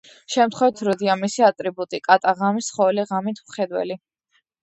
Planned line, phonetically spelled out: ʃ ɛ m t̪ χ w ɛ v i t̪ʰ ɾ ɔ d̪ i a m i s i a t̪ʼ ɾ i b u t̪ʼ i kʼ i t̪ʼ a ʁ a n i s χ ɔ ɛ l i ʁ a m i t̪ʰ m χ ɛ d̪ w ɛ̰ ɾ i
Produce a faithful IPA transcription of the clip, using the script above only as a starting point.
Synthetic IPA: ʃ ɛ m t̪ χ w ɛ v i t̪ʰ ɾ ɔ d̪ i a m i s i a t̪ʼ ɾ i b u t̪ʼ i kʼ a t̪ʼ a ʁ a m i s χ ɔ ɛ l i ʁ a m i t̪ʰ m χ ɛ d̪ w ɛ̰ l i